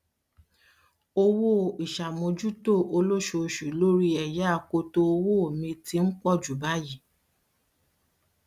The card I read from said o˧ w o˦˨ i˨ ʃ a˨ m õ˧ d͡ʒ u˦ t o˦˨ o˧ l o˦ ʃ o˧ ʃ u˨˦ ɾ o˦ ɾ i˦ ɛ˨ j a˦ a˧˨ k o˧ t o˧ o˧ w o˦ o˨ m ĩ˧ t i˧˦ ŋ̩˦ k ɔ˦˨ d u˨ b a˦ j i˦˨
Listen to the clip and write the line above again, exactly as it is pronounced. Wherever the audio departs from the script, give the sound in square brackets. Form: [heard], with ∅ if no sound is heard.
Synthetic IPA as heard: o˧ w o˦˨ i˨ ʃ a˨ m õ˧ d͡ʒ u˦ t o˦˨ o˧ l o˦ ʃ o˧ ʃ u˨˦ [l] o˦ ɾ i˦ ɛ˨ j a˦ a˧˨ k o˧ t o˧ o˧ w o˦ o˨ m ĩ˧ t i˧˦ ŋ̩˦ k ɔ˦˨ [d͡ʒ] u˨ b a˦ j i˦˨